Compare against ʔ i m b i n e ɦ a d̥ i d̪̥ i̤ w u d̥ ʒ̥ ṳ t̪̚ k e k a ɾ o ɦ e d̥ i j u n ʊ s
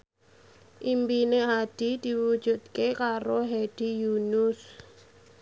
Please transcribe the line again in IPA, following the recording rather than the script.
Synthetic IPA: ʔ i m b i n e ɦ a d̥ i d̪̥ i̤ w u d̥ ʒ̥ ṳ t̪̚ k e k a ɾ o ɦ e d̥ i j u n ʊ s